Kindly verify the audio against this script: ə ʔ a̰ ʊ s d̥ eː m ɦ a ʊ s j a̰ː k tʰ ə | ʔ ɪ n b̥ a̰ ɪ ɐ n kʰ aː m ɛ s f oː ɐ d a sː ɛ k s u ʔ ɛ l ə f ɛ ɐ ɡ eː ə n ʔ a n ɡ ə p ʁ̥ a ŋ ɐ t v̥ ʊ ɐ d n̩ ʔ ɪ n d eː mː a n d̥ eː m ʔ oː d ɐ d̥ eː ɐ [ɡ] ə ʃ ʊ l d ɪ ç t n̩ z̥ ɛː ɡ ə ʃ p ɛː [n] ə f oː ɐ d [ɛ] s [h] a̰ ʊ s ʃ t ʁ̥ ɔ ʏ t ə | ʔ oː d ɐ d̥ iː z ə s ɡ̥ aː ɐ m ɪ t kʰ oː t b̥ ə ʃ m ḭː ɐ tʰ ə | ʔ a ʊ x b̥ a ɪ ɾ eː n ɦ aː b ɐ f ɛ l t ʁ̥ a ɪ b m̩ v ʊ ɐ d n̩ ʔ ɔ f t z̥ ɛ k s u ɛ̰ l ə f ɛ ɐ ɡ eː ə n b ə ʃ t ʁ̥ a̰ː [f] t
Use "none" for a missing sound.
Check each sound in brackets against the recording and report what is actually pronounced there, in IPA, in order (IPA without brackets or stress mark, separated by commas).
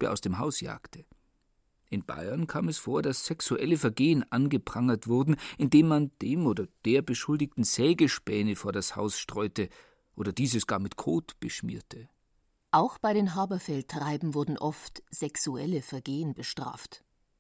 b, n, a, h, f